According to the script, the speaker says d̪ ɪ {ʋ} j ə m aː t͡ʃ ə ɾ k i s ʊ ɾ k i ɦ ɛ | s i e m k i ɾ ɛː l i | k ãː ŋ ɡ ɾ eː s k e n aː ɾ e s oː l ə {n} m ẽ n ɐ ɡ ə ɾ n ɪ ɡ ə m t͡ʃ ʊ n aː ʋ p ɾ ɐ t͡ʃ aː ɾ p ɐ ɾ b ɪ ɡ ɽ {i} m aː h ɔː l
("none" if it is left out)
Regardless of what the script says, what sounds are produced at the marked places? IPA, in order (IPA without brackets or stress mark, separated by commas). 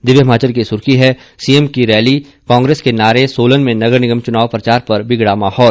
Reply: ʋ, n, a